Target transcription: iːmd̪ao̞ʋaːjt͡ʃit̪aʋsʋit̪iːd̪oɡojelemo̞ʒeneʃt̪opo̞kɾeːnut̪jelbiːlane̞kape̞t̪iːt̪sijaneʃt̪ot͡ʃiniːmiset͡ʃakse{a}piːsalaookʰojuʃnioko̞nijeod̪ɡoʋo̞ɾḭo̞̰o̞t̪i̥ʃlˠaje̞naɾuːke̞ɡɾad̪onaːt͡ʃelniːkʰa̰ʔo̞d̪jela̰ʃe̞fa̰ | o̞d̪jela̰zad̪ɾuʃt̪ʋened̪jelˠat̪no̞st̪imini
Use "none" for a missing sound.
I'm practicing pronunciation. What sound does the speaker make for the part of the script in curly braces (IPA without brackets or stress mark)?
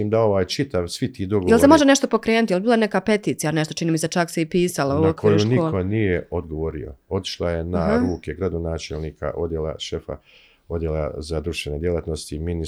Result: i